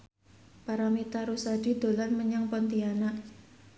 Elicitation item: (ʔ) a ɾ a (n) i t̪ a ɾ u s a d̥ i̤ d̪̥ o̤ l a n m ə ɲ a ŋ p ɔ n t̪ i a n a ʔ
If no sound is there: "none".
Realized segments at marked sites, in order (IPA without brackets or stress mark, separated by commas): p, m